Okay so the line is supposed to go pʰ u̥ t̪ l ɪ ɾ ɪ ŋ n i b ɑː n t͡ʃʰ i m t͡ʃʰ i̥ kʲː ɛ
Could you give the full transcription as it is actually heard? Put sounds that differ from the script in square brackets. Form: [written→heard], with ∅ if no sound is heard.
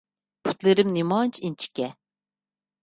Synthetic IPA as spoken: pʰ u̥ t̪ l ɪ ɾ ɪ [ŋ→m] n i [b→m] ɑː n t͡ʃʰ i [m→n] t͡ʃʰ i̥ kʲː ɛ